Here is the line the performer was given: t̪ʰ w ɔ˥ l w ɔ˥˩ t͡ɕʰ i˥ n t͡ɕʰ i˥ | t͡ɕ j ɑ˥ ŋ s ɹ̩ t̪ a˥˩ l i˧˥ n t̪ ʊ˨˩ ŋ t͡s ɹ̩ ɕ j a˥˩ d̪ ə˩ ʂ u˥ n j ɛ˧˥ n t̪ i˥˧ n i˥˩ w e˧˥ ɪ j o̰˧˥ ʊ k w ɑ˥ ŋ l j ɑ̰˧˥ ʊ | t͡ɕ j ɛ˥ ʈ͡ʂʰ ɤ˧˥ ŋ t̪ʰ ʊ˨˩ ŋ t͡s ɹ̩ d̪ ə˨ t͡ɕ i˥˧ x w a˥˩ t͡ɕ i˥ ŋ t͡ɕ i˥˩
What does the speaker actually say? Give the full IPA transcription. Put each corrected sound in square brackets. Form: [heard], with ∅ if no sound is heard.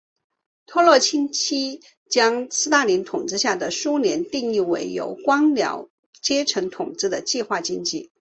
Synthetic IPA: t̪ʰ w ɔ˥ l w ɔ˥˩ t͡ɕʰ i˥ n t͡ɕʰ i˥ | t͡ɕ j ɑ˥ ŋ s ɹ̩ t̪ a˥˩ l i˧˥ n [t̪ʰ] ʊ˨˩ ŋ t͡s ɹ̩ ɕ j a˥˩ d̪ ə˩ ʂ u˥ n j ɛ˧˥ n t̪ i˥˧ [ŋ] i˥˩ w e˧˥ ɪ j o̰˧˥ ʊ k w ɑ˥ ŋ l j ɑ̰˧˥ ʊ | t͡ɕ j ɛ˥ ʈ͡ʂʰ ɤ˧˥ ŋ t̪ʰ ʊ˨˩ ŋ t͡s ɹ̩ d̪ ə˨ t͡ɕ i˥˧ x w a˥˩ t͡ɕ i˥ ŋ t͡ɕ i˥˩